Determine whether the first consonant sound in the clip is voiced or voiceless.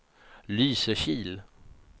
voiced